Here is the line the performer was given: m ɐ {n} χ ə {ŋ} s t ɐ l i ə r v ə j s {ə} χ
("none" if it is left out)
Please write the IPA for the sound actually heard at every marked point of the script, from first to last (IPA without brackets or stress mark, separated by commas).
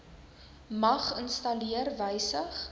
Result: none, n, ə